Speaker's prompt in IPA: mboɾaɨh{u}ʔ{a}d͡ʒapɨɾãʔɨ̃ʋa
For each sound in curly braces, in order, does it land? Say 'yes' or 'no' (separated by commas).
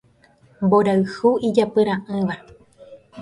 yes, no